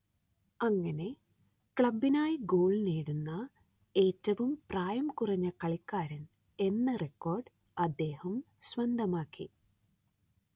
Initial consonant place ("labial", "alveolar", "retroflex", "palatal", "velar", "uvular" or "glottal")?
velar